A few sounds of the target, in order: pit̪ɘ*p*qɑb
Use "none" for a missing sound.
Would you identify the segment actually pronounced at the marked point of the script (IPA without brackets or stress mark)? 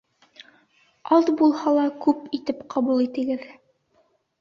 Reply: p